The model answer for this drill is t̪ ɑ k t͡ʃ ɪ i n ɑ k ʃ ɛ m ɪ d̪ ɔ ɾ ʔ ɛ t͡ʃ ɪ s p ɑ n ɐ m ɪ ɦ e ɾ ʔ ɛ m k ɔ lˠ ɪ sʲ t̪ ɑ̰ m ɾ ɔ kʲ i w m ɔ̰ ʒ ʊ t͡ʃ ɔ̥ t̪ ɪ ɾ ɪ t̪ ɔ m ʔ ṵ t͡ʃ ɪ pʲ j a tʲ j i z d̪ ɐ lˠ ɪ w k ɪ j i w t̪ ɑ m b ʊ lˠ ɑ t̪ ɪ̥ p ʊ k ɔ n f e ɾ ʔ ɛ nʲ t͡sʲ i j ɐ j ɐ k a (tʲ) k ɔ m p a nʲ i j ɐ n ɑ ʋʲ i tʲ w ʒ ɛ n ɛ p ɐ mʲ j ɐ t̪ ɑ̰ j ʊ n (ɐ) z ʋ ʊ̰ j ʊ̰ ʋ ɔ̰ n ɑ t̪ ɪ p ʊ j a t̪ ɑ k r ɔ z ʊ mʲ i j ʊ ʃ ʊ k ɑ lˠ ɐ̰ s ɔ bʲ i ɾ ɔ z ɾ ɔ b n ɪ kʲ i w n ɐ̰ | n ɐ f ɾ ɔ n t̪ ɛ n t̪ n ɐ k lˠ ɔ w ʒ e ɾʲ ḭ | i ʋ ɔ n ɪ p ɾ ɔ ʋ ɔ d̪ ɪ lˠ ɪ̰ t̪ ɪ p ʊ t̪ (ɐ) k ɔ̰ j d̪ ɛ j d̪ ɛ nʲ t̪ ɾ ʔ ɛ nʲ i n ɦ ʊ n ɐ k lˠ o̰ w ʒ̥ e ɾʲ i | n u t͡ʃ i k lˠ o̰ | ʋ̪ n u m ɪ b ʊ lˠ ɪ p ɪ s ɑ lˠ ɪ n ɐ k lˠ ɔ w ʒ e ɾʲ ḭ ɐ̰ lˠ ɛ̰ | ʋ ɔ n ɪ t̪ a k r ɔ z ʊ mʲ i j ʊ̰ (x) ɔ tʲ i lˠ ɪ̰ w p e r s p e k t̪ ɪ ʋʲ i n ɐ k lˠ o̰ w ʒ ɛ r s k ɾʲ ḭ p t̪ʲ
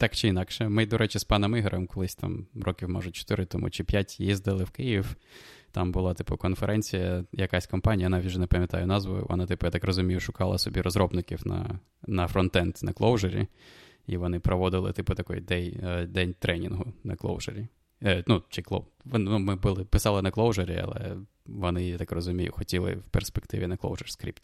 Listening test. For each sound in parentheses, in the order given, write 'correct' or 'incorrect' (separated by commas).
incorrect, incorrect, correct, correct